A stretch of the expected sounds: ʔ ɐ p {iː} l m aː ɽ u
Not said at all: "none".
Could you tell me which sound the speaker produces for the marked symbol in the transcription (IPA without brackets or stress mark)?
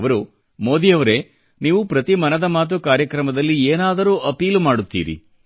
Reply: iː